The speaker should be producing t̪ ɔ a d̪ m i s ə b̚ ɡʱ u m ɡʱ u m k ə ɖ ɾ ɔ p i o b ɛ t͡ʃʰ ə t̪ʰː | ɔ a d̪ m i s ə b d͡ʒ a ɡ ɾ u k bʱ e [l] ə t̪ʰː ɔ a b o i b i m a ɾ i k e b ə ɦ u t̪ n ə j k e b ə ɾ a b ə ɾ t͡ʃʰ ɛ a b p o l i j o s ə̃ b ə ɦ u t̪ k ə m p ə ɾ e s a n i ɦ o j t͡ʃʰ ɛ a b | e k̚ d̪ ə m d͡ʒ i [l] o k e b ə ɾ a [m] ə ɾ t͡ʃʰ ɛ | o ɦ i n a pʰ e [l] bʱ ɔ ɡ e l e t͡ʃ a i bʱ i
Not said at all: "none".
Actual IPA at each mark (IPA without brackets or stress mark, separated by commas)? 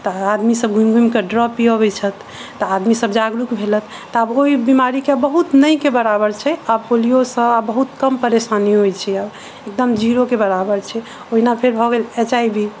l, ɾ, b, ɾ